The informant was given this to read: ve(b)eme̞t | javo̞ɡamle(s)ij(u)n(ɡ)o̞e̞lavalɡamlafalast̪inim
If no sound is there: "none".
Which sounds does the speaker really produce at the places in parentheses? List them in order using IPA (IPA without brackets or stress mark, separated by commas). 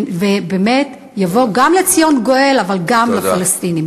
b, t͡s, o, ɡ